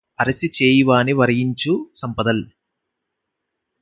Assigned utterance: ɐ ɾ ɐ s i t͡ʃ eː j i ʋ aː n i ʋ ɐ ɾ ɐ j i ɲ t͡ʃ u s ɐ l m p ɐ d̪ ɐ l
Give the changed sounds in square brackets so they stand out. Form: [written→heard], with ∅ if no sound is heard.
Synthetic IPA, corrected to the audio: ɐ ɾ ɐ s i t͡ʃ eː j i ʋ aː n i ʋ ɐ ɾ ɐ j i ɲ t͡ʃ u s ɐ [l→∅] m p ɐ d̪ ɐ l